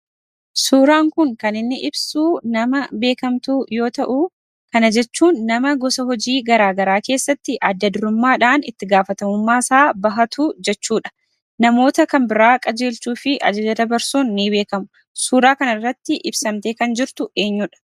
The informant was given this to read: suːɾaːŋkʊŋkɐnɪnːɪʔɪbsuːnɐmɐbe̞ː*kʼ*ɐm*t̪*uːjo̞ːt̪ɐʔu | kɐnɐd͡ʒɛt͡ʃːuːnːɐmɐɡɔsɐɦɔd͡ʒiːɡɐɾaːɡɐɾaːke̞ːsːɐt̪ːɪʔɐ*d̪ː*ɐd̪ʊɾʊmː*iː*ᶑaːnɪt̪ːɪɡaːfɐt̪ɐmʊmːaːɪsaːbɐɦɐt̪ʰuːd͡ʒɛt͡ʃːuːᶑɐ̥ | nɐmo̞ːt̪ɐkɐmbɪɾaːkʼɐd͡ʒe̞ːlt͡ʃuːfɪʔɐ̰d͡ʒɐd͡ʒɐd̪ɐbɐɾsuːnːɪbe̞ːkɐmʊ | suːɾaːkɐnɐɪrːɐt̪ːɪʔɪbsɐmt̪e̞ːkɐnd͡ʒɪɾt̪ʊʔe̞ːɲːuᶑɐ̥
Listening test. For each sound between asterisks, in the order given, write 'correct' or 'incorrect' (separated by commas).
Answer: incorrect, correct, correct, incorrect